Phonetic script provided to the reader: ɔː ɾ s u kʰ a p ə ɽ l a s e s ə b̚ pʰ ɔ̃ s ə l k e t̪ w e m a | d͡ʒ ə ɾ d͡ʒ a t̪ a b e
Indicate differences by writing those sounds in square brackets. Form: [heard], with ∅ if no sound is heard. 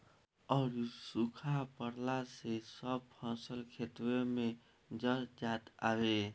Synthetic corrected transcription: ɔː ɾ s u kʰ a p ə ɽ l a s e s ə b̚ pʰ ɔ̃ s ə l [kʰ] e t̪ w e m [e] | d͡ʒ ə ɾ d͡ʒ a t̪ a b e